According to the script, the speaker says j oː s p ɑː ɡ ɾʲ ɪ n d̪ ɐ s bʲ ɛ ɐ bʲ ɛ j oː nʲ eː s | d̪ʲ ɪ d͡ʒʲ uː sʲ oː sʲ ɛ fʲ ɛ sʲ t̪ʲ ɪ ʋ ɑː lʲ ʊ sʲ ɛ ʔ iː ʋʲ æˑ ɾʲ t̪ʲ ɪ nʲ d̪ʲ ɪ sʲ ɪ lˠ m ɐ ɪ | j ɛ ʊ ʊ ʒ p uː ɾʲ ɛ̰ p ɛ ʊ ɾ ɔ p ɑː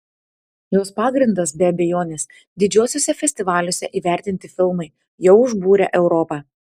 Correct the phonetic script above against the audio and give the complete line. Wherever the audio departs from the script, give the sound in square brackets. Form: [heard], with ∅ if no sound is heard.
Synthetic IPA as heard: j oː s p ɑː ɡ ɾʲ ɪ n d̪ ɐ s bʲ ɛ ɐ bʲ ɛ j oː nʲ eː s | d̪ʲ ɪ d͡ʒʲ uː sʲ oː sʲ ɛ fʲ ɛ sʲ t̪ʲ ɪ ʋ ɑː lʲ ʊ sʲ ɛ ʔ iː ʋʲ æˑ ɾʲ t̪ʲ ɪ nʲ [t̪ʲ] ɪ [fʲ] ɪ lˠ m ɐ ɪ | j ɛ ʊ ʊ ʒ [b] uː ɾʲ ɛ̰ [ʔ] ɛ ʊ ɾ ɔ p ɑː